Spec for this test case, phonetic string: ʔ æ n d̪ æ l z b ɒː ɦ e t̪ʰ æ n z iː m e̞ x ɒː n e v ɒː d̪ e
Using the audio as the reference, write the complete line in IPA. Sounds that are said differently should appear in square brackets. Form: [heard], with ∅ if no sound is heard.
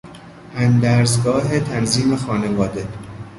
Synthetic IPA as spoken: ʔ æ n d̪ æ [ɾ] z [ɡ] ɒː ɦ e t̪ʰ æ n z iː m e̞ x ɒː n e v ɒː d̪ e

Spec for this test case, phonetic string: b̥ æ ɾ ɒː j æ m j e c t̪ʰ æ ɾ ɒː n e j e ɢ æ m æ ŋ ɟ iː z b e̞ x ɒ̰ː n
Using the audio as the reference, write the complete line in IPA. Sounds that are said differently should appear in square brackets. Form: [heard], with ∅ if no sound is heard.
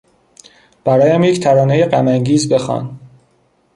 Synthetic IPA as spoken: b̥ æ ɾ ɒː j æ m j e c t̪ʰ æ ɾ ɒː n e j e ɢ æ m æ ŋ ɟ iː z b e̞ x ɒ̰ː n

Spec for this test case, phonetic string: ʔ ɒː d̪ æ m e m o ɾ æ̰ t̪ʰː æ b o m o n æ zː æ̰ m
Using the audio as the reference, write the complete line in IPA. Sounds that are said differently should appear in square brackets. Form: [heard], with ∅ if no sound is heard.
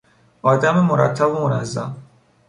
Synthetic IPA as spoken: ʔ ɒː d̪ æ m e m o ɾ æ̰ t̪ʰː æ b o m o n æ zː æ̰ m

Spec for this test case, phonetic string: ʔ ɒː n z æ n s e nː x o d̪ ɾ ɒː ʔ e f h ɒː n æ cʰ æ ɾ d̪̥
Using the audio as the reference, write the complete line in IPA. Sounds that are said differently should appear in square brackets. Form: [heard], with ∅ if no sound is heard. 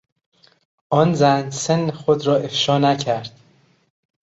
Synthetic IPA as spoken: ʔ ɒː n z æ n s e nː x o d̪ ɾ ɒː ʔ e f [ʃ] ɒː n æ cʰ æ ɾ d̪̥

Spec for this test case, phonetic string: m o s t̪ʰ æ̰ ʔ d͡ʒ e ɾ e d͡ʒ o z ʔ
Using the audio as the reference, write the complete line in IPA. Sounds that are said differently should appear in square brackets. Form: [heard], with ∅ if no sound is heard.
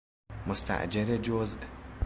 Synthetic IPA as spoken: m o s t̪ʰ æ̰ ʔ d͡ʒ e ɾ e d͡ʒ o z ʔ

